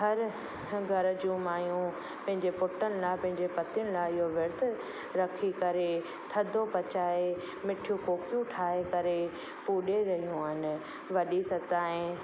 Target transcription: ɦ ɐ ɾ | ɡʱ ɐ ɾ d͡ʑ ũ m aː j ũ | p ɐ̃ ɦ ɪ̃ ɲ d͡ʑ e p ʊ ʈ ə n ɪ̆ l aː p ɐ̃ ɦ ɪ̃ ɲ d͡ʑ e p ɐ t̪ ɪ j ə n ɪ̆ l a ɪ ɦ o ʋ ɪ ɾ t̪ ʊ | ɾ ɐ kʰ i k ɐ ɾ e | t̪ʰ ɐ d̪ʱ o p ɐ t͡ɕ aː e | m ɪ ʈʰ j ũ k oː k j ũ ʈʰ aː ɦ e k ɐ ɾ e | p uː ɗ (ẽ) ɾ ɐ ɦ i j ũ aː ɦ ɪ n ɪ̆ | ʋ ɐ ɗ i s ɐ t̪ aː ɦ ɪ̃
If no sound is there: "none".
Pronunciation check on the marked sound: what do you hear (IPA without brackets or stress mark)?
e